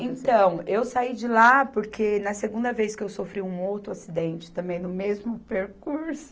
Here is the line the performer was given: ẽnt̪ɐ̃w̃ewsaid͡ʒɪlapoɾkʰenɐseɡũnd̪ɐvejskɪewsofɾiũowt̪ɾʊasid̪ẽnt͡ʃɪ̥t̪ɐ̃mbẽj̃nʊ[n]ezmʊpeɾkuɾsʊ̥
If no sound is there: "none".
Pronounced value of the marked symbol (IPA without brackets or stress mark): m